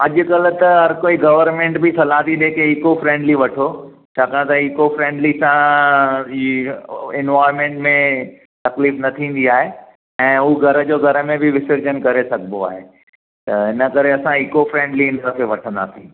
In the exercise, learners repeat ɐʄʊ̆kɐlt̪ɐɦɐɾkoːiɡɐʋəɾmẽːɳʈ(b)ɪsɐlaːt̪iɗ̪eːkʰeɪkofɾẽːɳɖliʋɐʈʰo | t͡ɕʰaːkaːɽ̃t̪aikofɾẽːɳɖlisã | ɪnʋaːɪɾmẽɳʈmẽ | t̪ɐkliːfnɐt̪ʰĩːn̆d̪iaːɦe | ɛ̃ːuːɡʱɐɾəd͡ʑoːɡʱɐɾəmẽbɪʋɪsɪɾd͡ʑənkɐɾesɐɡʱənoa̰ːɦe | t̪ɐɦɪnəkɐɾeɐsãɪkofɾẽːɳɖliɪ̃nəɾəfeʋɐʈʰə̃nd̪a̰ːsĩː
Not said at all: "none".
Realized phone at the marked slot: b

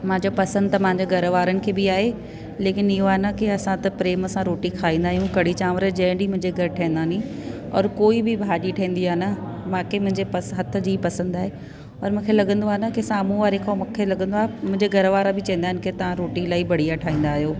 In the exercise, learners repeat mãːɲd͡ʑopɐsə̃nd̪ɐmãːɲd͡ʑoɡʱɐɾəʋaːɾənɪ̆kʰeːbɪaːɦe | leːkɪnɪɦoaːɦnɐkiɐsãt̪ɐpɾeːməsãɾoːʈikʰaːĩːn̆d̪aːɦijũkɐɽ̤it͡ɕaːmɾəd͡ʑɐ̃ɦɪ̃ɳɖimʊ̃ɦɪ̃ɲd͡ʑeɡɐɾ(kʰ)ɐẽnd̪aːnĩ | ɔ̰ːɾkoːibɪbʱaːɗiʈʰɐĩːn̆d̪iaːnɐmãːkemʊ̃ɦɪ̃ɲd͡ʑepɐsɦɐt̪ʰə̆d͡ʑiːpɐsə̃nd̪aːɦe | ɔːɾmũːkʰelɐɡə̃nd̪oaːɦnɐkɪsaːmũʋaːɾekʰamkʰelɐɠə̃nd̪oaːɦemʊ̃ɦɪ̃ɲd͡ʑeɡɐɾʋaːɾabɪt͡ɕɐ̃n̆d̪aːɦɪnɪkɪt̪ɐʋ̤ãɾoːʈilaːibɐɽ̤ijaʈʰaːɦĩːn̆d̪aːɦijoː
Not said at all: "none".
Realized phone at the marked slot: ʈʰ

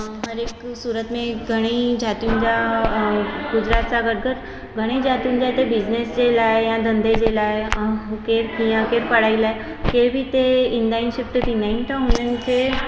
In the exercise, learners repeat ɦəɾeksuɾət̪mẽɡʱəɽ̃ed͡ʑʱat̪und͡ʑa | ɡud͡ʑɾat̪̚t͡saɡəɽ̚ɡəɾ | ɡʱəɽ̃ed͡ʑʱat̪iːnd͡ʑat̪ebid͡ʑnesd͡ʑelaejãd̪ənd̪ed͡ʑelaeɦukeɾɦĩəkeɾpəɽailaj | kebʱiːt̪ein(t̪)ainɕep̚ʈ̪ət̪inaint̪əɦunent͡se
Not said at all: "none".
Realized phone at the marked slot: d̪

